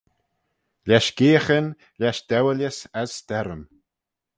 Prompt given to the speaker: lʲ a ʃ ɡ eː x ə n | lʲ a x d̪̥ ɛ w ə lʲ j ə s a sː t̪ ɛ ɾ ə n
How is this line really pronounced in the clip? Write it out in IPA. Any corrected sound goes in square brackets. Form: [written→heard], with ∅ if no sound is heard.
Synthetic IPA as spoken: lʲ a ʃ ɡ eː x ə n | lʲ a [x→ʃ] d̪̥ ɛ w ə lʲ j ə s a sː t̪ ɛ ɾ ə [n→m]